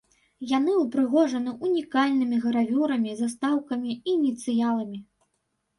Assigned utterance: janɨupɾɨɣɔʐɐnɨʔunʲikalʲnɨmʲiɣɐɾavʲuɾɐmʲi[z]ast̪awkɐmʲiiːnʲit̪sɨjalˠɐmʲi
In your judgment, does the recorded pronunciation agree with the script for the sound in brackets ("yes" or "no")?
yes